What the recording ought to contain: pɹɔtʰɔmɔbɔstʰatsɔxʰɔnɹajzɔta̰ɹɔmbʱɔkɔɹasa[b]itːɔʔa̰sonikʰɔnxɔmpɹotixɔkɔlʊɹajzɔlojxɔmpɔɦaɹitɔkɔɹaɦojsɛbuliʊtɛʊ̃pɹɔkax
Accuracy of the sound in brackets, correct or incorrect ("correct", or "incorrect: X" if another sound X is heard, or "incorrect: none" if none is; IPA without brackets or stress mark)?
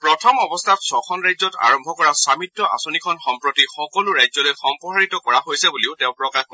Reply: incorrect: m